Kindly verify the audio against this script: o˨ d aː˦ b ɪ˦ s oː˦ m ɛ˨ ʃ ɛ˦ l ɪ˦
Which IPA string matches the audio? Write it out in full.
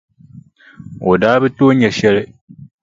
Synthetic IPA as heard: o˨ d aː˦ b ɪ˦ t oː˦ ɲ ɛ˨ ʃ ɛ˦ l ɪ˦